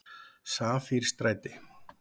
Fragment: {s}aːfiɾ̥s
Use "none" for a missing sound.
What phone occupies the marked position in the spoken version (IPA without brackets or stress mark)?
s